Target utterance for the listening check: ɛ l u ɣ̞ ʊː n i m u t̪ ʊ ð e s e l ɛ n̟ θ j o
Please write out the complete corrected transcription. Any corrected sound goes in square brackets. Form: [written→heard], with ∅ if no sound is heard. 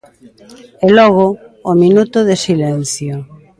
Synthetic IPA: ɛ l [u→ɔ] ɣ̞ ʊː [n→m] i [m→n] u t̪ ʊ ð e s [e→i] l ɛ n̟ θ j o